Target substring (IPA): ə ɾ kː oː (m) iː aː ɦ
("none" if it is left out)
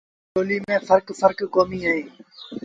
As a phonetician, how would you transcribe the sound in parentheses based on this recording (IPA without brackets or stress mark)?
m